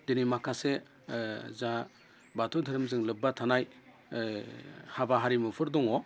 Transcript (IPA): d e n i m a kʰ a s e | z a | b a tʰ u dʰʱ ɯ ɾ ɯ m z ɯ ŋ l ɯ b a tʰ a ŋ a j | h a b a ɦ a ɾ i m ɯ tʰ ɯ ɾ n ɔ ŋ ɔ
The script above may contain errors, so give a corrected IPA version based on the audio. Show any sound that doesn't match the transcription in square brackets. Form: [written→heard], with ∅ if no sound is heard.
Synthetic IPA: d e n i m a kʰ a s e | z a | b a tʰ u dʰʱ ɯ ɾ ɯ m z ɯ ŋ l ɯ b a tʰ a [ŋ→n] a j | h a b a ɦ a ɾ i m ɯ [tʰ→pʰ] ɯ ɾ [n→d] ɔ ŋ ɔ